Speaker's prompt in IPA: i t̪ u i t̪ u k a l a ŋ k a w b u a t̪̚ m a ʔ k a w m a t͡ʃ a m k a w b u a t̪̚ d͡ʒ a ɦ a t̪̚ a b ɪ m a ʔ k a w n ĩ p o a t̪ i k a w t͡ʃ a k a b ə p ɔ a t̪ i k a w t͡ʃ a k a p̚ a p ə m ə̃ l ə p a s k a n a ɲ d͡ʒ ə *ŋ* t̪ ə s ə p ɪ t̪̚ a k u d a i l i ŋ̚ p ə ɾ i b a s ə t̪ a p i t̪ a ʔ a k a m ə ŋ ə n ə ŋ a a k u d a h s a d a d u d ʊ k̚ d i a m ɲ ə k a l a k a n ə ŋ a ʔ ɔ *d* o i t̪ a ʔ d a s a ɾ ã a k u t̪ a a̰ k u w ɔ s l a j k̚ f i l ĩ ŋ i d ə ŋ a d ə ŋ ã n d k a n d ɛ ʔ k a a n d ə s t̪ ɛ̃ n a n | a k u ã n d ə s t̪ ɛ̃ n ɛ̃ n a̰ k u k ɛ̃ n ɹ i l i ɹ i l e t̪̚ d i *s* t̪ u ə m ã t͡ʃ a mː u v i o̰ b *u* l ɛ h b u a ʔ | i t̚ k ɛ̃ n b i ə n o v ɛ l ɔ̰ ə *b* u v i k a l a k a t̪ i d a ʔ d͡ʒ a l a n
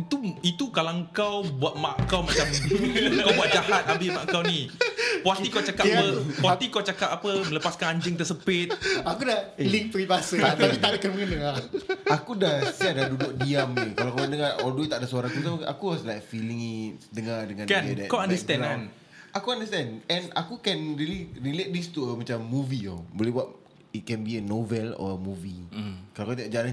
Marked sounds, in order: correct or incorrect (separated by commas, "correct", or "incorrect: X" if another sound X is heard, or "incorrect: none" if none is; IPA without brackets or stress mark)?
correct, correct, correct, incorrect: o, incorrect: m